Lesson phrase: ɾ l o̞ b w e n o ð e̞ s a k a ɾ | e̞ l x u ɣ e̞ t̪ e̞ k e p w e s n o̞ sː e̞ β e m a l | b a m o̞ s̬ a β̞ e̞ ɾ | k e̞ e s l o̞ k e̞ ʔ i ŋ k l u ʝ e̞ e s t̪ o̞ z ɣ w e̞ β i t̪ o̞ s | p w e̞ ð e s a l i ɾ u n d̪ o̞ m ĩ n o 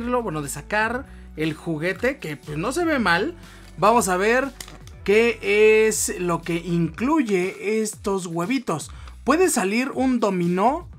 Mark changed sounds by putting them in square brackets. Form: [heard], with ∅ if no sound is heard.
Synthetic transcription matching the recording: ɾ l o̞ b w e n o ð e̞ s a k a ɾ | e̞ l x u ɣ e̞ t̪ e̞ k e p w e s n o̞ [s] e̞ β e m a l | b a m o̞ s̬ a β̞ e̞ ɾ | k e̞ e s l o̞ k e̞ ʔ i ŋ k l u ʝ e̞ e s t̪ o̞ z ɣ w e̞ β i t̪ o̞ s | p w e̞ ð e s a l i ɾ u n d̪ o̞ m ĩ n o